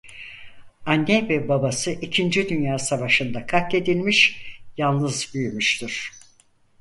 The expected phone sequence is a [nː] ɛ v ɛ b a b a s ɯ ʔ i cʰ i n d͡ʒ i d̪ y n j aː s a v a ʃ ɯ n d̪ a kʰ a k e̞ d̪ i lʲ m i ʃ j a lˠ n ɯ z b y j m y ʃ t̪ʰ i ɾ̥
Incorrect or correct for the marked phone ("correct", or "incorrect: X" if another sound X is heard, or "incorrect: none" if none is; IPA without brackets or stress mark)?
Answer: correct